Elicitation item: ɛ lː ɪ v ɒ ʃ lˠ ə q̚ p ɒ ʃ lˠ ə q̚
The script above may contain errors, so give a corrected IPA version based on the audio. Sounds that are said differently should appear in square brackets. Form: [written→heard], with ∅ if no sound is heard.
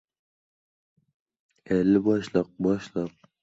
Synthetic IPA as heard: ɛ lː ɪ [v→b] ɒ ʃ lˠ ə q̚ [p→b] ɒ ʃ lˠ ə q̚